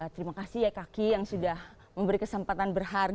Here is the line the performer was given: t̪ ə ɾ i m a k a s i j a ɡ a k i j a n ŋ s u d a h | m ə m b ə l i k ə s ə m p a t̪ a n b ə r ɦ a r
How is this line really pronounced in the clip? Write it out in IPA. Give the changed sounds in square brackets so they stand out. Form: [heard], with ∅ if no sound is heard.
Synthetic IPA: t̪ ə ɾ i m a k a s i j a [k] a k i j a [∅] ŋ s u d a h | m ə m b ə [ɾ] i k ə s ə m p a t̪ a n b ə r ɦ a r